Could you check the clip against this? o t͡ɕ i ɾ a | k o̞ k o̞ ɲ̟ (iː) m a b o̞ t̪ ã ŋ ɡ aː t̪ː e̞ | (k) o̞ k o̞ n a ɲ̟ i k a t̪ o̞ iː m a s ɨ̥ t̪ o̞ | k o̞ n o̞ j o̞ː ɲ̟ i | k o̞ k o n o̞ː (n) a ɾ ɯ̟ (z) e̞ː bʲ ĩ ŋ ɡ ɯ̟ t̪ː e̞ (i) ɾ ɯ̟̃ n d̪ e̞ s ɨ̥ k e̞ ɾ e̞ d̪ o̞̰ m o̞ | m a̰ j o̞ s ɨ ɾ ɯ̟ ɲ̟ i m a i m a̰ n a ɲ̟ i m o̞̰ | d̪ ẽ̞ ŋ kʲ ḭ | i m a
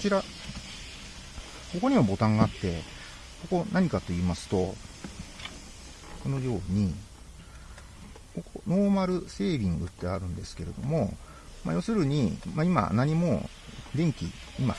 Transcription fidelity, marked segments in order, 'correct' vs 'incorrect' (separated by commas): incorrect, correct, incorrect, incorrect, incorrect